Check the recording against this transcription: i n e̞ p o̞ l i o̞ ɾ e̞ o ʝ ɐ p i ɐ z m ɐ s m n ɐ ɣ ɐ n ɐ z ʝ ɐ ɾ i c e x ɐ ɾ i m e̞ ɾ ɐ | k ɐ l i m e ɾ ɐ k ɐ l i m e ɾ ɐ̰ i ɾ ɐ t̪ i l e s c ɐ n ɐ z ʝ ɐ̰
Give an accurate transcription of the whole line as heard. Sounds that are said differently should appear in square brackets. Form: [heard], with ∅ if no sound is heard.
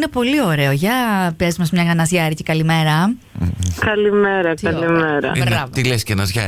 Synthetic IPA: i n e̞ p o̞ l i o̞ ɾ e̞ o ʝ ɐ p i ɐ z m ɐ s m [ɲ] ɐ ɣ ɐ n ɐ z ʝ ɐ ɾ i c e [k] ɐ [l] i m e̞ ɾ ɐ | k ɐ l i m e ɾ ɐ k ɐ l i m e ɾ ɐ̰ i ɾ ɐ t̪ i l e s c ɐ n ɐ z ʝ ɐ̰